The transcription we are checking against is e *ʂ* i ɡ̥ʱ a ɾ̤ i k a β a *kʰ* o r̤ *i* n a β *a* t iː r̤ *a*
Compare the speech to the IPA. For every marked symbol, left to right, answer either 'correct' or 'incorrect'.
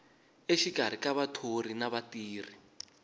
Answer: incorrect, incorrect, correct, correct, incorrect

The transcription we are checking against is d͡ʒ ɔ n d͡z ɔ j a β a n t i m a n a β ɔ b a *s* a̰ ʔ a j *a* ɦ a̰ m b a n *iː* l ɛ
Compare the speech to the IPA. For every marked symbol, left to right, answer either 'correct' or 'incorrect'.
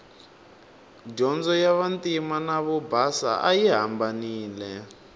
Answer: correct, incorrect, correct

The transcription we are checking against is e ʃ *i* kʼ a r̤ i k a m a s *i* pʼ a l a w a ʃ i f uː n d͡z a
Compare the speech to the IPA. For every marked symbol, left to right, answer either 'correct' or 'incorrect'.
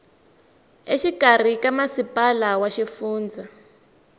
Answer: correct, correct

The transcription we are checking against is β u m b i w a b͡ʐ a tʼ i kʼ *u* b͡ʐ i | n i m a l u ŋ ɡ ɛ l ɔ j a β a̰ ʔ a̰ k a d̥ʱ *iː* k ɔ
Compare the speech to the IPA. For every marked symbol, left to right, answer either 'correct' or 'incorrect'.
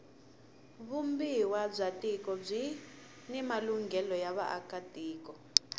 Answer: incorrect, correct

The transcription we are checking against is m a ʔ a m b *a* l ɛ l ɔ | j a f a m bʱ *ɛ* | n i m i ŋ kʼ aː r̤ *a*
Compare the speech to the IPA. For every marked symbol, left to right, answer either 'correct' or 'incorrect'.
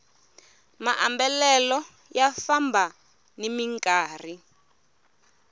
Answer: incorrect, incorrect, incorrect

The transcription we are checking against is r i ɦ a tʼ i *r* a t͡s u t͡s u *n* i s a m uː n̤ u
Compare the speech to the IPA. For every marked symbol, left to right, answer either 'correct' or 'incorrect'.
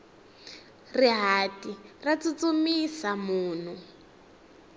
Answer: correct, incorrect

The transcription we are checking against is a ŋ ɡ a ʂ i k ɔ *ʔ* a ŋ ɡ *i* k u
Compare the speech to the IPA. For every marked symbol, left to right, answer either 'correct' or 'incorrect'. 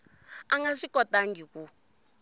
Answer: incorrect, correct

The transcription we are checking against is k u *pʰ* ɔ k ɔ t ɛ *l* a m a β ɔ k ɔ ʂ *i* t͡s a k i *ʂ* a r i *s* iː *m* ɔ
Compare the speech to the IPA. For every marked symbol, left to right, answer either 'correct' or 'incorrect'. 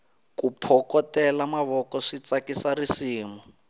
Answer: correct, correct, correct, incorrect, correct, correct

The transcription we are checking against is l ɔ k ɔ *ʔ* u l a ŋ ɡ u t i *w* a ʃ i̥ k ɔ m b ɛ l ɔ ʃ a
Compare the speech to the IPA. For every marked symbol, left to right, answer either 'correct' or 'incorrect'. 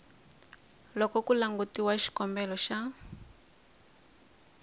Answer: incorrect, correct

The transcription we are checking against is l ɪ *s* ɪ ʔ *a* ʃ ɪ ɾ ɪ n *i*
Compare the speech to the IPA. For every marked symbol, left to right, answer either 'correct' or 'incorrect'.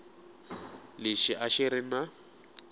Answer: incorrect, correct, incorrect

